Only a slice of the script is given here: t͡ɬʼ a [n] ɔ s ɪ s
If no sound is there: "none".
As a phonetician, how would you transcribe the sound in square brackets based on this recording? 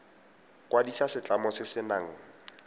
m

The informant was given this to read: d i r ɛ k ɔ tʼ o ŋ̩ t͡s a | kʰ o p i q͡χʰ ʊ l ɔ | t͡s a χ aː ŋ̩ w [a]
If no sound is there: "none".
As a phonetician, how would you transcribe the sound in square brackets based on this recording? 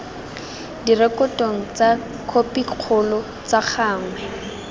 ɛ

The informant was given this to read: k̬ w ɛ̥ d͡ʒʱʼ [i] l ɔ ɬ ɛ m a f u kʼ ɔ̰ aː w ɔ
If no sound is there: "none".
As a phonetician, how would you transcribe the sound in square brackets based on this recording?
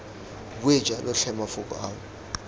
a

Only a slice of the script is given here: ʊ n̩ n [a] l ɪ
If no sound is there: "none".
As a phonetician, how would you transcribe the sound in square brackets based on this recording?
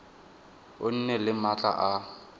ɛ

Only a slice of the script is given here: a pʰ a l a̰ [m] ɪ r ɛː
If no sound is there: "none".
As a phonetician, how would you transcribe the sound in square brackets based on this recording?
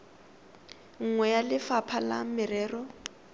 m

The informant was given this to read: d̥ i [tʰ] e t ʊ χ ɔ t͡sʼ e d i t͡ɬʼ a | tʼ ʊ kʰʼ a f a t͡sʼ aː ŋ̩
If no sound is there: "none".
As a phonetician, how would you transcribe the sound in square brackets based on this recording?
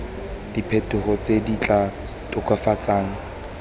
pʰ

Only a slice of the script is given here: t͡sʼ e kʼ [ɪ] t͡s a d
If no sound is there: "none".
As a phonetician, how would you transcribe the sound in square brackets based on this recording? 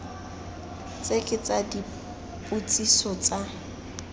ɪ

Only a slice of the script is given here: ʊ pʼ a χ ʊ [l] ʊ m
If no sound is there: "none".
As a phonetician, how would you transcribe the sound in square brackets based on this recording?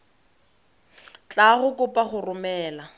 r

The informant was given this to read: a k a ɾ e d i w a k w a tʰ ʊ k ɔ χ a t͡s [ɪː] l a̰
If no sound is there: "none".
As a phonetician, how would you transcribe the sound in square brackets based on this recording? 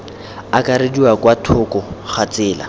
ɪː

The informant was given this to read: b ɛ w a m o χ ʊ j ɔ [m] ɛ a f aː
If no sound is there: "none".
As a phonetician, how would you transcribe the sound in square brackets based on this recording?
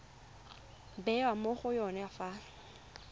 n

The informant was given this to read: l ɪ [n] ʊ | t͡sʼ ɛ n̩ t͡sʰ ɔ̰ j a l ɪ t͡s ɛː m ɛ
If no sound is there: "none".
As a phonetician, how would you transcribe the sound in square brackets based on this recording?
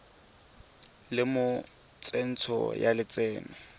m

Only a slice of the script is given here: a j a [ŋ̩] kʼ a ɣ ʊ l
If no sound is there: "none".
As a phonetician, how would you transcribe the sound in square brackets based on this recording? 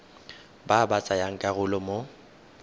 ŋ̩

